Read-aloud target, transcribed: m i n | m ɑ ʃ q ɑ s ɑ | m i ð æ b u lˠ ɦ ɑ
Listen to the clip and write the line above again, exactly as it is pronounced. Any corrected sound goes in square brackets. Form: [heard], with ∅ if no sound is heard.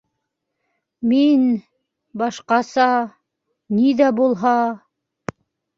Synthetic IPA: m i n | [b] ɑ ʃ q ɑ s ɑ | [n] i ð æ b u lˠ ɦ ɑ